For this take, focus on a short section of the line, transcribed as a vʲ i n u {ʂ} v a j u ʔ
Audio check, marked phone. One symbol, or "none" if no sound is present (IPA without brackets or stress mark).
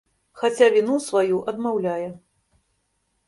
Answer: s